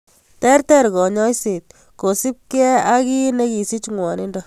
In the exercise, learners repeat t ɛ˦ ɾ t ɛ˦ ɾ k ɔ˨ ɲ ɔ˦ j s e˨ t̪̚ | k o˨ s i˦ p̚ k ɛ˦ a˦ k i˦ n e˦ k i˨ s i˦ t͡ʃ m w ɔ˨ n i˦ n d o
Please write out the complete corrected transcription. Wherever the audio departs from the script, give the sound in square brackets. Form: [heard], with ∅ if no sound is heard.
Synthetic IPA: t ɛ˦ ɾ t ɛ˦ ɾ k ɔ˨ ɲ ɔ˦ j s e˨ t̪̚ | k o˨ s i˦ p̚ k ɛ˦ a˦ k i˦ n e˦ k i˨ s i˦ t͡ʃ [ŋ] w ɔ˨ n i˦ n d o